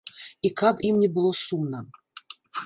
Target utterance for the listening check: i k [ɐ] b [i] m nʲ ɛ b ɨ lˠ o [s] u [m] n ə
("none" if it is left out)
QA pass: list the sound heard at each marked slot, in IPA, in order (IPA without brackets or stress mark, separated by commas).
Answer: a, i, s, m